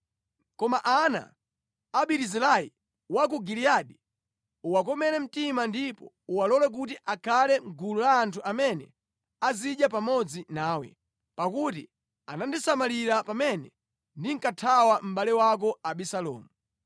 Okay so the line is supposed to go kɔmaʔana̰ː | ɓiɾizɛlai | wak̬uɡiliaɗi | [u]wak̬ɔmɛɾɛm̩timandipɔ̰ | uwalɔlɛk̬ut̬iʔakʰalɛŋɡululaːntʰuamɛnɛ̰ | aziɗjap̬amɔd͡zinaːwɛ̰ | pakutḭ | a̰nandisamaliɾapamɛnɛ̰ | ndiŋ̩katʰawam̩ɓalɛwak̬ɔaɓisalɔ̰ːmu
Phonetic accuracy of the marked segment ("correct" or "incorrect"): correct